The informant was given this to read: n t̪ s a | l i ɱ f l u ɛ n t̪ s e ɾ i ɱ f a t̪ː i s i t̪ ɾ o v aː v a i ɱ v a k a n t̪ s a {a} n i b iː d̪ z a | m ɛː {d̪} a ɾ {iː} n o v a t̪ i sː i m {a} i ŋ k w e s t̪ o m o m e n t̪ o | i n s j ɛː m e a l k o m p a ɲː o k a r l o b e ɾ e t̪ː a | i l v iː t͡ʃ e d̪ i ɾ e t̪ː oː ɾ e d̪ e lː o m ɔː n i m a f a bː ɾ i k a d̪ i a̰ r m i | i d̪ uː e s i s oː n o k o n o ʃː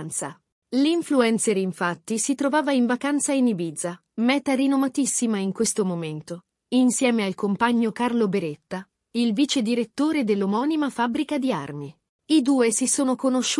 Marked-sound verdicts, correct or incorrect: incorrect, incorrect, incorrect, correct

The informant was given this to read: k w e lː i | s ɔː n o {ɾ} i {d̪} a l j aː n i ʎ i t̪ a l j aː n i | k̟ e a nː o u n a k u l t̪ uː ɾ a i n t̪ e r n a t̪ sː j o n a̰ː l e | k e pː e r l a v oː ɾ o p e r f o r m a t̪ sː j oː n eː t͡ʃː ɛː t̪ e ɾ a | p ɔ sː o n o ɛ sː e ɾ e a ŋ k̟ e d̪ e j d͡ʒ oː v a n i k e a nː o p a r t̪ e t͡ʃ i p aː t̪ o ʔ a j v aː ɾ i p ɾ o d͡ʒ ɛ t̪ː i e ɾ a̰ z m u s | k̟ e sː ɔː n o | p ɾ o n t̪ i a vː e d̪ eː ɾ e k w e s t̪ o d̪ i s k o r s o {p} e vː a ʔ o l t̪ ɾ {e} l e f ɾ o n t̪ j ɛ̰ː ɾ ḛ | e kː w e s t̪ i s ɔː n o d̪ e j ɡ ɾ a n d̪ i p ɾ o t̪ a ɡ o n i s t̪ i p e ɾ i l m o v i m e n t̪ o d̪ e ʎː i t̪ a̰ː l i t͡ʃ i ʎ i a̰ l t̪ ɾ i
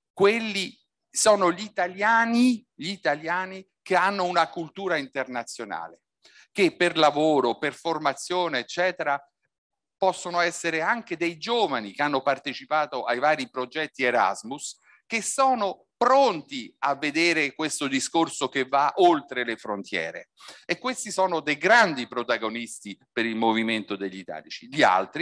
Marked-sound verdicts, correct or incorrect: incorrect, incorrect, incorrect, correct

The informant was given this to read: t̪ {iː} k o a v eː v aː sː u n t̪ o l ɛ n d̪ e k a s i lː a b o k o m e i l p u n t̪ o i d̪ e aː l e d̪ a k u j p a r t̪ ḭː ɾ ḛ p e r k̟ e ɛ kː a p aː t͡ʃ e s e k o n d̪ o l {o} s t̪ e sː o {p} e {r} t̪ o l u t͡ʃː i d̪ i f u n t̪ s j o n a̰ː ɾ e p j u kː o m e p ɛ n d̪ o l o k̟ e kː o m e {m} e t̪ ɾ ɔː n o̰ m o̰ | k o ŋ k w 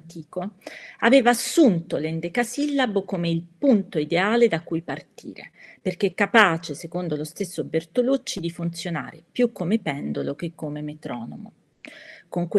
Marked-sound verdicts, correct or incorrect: correct, correct, incorrect, correct, correct

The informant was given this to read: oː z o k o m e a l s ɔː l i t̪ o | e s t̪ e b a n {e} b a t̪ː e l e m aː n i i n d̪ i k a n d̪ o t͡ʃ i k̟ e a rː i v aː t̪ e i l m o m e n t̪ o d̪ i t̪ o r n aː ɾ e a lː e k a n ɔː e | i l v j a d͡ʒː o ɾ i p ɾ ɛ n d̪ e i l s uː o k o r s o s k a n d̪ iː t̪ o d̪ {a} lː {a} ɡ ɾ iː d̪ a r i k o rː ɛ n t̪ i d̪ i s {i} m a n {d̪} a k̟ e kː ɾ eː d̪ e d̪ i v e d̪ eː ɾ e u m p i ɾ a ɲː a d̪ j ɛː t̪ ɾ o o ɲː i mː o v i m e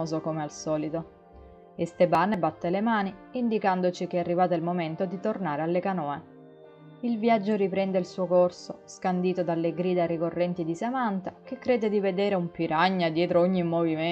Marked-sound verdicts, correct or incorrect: correct, correct, incorrect, incorrect, incorrect

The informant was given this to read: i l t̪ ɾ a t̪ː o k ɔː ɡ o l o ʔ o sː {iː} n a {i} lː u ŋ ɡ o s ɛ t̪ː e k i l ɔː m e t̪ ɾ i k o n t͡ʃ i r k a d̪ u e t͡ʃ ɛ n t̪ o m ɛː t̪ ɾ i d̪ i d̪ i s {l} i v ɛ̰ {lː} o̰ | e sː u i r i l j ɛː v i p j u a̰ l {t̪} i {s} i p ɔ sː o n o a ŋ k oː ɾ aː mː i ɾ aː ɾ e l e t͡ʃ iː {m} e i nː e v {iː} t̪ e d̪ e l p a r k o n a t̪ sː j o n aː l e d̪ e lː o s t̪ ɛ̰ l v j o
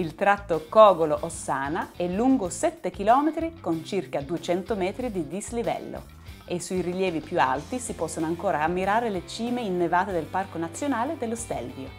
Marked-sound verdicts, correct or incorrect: incorrect, incorrect, correct, correct, correct, correct, correct, incorrect

